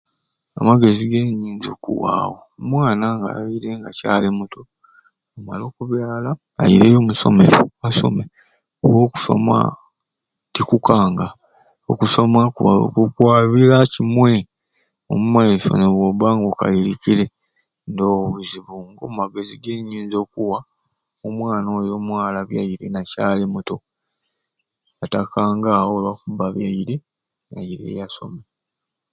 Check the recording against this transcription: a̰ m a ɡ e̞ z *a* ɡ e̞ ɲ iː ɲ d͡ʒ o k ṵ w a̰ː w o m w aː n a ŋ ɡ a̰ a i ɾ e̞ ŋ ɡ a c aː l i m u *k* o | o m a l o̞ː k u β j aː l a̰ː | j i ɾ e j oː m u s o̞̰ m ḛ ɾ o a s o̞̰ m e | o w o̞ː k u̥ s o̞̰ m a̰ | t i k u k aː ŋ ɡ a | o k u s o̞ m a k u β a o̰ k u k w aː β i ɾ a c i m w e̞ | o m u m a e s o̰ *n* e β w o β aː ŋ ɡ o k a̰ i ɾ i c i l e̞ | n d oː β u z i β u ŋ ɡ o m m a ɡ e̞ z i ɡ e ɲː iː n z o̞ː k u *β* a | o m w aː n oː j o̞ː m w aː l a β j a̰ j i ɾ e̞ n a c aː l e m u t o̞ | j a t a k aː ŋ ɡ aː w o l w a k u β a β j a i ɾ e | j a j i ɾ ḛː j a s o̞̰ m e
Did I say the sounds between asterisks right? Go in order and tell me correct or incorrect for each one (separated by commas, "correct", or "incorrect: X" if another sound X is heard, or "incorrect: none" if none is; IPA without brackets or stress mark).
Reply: incorrect: i, incorrect: t, correct, incorrect: w